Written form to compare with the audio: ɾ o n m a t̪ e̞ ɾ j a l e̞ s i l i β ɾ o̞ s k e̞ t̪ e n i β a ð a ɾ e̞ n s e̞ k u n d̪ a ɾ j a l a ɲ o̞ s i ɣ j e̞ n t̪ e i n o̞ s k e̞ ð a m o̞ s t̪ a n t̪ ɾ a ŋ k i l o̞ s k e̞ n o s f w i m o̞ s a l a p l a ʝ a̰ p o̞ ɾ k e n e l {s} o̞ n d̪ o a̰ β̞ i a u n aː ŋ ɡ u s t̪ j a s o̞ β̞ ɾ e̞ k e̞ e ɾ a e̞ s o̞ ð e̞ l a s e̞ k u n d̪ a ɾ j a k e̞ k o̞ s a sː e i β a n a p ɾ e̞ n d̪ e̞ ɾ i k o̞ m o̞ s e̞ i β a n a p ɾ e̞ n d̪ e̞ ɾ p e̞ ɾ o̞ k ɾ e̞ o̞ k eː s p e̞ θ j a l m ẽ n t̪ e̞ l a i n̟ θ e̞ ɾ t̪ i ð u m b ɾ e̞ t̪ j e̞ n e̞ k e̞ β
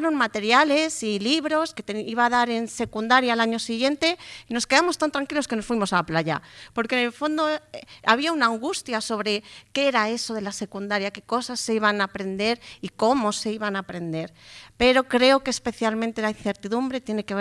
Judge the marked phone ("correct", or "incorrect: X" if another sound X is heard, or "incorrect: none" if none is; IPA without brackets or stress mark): incorrect: f